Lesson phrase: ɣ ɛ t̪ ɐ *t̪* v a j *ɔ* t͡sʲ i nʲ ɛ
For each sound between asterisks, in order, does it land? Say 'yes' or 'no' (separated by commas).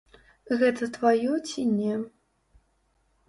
yes, yes